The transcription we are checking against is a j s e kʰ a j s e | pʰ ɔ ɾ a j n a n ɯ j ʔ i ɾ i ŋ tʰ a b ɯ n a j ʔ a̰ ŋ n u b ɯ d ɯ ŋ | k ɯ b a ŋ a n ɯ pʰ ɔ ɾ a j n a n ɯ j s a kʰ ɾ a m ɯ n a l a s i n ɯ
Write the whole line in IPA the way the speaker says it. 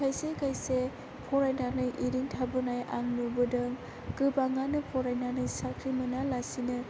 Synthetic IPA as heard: a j s e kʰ a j s e | pʰ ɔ ɾ a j n a n ɯ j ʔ i ɾ i ŋ tʰ a b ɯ n a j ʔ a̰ ŋ n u b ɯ d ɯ ŋ | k ɯ b a ŋ a n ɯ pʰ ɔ ɾ a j n a n ɯ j s a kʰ ɾ i m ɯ n a l a s i n ɯ